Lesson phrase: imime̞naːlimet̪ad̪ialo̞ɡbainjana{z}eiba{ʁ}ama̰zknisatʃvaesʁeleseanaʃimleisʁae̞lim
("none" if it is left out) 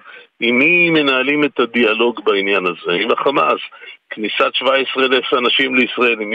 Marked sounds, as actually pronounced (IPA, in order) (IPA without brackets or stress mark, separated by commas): z, χ